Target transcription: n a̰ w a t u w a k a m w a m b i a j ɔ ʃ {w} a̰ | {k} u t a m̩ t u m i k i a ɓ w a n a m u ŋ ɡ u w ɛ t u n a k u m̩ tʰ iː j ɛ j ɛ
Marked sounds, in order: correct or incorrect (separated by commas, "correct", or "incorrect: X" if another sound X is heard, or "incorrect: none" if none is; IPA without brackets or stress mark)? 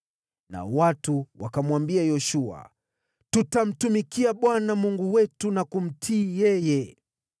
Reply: incorrect: u, incorrect: t